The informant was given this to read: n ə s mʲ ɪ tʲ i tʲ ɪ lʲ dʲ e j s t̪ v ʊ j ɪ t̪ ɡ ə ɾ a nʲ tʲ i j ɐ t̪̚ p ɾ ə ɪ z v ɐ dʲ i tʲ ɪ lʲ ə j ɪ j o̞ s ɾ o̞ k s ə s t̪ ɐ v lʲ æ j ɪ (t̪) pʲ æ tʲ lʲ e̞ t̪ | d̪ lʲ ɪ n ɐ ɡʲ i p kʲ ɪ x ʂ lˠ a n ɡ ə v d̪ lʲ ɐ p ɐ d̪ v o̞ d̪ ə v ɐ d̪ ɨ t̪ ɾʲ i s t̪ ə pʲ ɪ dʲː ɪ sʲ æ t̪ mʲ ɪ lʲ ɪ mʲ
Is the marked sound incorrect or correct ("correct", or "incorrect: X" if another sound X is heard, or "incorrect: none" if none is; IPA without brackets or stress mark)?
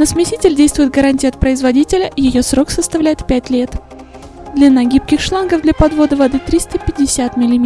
correct